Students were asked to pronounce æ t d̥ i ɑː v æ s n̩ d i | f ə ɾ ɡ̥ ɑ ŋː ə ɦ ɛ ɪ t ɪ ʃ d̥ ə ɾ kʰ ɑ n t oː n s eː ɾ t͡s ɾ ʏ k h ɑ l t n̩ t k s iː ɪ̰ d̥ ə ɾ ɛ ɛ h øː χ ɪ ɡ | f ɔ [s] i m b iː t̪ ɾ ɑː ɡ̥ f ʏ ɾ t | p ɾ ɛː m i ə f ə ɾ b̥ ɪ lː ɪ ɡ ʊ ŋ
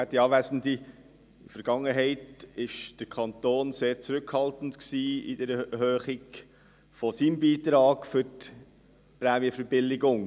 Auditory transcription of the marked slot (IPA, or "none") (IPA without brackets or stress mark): s